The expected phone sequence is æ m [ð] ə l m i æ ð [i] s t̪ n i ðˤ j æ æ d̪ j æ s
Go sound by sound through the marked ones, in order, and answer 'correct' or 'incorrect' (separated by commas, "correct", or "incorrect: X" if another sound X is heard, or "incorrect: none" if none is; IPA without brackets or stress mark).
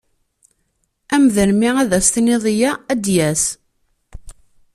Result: correct, incorrect: æ